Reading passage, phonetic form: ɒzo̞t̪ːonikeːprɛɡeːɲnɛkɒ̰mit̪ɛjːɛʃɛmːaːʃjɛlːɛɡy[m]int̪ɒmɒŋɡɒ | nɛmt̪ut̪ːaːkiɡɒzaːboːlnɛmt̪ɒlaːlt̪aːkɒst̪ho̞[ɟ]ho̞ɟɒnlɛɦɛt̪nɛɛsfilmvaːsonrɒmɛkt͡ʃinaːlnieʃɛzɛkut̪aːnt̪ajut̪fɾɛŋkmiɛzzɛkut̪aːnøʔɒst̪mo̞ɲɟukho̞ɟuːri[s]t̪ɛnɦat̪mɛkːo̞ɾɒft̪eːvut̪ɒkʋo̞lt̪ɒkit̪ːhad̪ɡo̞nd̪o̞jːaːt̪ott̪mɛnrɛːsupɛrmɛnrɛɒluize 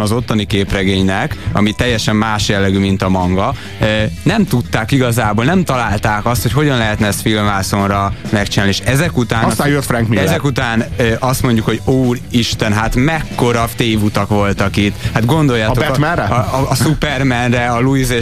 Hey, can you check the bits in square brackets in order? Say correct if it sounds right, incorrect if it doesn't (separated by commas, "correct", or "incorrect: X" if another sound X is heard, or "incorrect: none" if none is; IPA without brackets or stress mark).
correct, incorrect: c, incorrect: ʃ